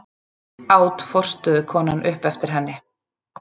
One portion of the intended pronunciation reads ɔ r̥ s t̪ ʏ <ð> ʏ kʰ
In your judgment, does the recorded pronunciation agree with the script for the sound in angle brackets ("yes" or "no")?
yes